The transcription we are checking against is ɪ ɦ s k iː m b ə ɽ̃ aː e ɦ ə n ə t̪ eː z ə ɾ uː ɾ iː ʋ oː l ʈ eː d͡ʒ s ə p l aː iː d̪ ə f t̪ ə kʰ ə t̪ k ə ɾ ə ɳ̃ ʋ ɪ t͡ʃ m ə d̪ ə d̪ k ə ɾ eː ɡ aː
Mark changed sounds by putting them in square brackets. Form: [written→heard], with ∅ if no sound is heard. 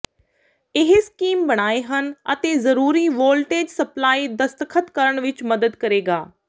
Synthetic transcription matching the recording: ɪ ɦ s k iː m b ə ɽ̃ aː e ɦ ə n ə t̪ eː z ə ɾ uː ɾ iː ʋ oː l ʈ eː d͡ʒ s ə p l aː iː d̪ ə [f→s] t̪ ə kʰ ə t̪ k ə ɾ ə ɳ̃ ʋ ɪ t͡ʃ m ə d̪ ə d̪ k ə ɾ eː ɡ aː